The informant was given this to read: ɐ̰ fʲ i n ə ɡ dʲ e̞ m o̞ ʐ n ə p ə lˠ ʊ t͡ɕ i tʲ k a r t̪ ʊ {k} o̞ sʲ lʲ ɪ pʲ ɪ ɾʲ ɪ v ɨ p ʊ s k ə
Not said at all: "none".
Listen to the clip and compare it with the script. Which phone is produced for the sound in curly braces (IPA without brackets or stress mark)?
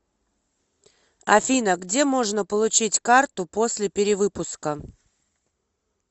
p